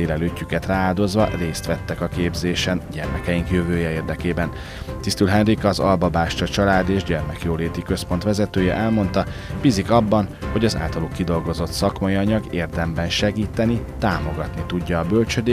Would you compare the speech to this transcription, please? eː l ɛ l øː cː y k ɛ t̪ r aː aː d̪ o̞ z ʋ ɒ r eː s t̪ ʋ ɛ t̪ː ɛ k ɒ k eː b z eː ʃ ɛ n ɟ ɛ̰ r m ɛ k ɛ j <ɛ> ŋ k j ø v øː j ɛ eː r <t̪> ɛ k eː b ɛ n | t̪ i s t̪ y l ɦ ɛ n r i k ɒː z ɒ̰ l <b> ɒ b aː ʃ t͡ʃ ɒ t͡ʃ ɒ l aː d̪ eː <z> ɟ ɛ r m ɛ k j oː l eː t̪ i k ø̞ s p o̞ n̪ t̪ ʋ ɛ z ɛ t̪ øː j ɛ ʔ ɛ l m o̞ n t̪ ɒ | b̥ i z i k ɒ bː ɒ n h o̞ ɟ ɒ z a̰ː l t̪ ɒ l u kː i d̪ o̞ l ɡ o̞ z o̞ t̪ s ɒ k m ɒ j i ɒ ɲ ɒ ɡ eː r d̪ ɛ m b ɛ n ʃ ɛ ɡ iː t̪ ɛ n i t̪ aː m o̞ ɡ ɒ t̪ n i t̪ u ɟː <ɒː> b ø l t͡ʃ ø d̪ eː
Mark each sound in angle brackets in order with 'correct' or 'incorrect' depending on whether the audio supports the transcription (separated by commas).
incorrect, incorrect, correct, incorrect, correct